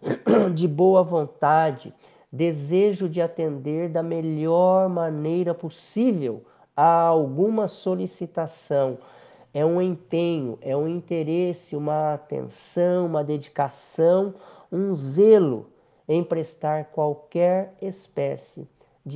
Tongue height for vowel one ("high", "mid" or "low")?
high